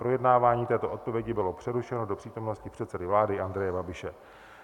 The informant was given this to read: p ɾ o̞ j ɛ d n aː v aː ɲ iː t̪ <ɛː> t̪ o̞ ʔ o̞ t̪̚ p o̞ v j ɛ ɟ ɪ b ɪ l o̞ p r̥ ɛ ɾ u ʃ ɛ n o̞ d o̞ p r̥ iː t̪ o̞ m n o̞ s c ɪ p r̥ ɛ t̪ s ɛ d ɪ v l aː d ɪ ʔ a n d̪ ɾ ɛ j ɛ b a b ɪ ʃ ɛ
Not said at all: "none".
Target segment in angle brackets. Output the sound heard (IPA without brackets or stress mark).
ɛː